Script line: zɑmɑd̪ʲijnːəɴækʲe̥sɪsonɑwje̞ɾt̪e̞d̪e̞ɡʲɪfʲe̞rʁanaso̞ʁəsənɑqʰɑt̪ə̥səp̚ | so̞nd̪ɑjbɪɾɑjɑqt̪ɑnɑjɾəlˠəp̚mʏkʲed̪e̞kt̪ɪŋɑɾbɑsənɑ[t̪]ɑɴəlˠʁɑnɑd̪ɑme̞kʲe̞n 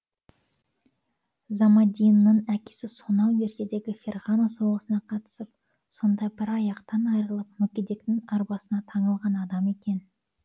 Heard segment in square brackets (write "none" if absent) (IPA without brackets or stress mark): t̪ʰ